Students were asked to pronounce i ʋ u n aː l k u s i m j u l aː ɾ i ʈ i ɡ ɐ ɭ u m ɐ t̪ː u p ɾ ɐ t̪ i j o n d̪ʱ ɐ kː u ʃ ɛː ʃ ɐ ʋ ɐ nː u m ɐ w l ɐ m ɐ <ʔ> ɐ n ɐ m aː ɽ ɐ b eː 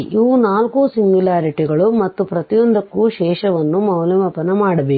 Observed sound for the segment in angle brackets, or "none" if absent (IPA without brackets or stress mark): p